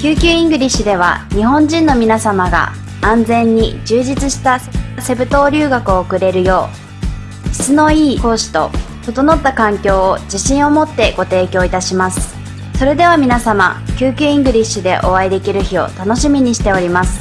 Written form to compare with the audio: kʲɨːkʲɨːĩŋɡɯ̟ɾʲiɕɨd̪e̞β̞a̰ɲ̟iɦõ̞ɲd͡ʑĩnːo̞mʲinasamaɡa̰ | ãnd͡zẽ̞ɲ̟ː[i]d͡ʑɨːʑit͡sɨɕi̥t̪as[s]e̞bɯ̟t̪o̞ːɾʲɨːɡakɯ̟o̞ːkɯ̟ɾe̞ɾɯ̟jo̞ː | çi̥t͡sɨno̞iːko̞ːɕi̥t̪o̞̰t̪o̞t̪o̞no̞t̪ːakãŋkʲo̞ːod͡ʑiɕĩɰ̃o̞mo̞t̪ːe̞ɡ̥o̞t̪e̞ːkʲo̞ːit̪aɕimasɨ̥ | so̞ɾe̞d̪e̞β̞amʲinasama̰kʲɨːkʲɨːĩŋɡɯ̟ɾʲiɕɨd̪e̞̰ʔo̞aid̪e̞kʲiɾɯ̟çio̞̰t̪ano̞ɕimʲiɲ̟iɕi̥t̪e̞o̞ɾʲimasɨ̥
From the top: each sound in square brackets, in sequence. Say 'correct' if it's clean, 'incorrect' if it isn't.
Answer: correct, correct

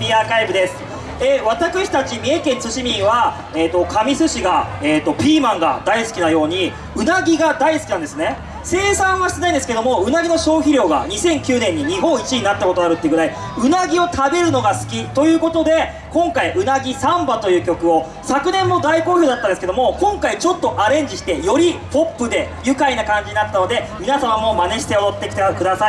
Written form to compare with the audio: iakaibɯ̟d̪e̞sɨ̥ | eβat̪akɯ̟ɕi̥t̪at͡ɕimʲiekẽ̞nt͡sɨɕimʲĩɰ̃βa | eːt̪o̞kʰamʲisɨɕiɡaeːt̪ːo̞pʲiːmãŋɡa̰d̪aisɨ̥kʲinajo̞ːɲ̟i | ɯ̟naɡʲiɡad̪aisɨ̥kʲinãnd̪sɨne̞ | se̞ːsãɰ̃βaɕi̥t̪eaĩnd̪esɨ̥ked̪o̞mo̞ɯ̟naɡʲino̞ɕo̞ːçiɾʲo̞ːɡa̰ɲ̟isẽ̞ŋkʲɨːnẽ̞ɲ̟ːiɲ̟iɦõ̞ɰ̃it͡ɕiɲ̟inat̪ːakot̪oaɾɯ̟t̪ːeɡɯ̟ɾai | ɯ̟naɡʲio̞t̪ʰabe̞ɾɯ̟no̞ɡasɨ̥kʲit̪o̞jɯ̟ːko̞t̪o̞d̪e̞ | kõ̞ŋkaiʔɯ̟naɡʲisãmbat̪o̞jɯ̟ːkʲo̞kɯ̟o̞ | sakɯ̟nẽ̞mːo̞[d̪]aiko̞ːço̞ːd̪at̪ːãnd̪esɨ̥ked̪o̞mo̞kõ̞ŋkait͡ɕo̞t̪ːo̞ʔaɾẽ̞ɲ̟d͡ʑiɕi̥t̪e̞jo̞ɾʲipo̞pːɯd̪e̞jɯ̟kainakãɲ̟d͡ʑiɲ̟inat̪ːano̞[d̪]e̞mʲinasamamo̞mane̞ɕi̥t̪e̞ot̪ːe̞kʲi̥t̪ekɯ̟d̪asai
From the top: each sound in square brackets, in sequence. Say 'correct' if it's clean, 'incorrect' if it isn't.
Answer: correct, correct

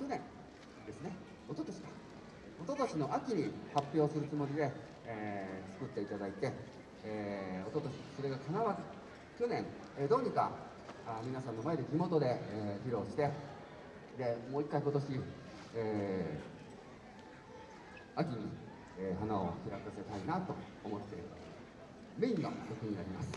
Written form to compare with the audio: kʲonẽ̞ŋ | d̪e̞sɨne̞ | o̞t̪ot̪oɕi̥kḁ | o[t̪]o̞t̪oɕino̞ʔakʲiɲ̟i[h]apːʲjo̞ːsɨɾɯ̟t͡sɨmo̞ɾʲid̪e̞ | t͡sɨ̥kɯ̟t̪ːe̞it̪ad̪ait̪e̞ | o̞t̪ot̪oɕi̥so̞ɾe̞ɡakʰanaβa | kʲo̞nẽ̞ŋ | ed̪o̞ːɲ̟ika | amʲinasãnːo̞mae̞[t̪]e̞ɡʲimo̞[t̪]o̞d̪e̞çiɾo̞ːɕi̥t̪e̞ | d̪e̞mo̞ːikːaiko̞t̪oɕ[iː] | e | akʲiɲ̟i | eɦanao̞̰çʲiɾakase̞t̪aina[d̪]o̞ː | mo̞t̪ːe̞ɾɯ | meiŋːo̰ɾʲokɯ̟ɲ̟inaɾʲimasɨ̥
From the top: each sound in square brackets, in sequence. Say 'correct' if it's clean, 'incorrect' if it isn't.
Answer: correct, correct, incorrect, correct, incorrect, incorrect

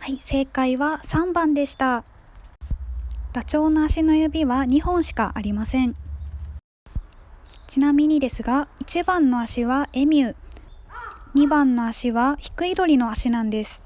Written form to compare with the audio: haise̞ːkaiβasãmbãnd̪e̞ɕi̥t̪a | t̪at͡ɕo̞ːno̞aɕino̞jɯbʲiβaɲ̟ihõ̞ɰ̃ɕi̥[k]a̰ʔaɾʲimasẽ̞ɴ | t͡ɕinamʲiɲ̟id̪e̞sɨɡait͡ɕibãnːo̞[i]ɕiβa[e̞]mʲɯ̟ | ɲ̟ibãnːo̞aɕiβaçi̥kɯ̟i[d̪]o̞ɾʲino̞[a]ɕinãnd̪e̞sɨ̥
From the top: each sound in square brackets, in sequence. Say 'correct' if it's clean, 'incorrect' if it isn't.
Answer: correct, incorrect, correct, correct, correct

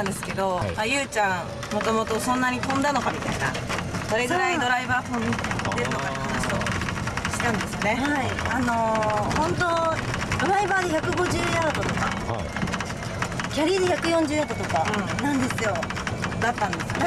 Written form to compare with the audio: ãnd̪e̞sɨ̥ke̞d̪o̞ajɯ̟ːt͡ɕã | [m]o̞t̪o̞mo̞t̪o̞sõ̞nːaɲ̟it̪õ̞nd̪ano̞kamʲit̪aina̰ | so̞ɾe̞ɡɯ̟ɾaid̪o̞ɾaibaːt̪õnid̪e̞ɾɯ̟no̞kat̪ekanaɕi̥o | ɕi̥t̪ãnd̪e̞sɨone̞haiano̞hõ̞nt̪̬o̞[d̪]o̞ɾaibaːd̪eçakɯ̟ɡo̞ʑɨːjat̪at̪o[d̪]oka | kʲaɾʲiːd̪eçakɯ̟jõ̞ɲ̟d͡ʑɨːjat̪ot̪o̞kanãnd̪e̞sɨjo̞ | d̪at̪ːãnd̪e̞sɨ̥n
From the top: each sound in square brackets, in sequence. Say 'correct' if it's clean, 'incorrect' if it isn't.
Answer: correct, correct, incorrect

